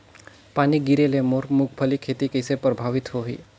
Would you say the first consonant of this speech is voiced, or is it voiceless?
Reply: voiceless